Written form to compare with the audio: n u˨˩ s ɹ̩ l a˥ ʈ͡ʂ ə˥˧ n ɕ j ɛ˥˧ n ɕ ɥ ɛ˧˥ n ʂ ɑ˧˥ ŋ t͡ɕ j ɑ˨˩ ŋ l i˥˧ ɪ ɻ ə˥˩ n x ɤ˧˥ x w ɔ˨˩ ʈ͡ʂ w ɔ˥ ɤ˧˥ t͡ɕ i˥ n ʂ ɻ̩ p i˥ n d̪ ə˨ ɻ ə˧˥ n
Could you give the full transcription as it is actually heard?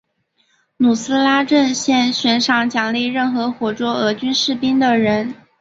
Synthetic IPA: n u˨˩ s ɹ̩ l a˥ ʈ͡ʂ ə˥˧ n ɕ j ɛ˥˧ n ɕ ɥ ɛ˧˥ n ʂ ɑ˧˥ ŋ t͡ɕ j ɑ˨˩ ŋ l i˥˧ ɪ ɻ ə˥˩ n x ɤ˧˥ x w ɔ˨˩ ʈ͡ʂ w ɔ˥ ɤ˧˥ t͡ɕ y˥ n ʂ ɻ̩ p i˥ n d̪ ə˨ ɻ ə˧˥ n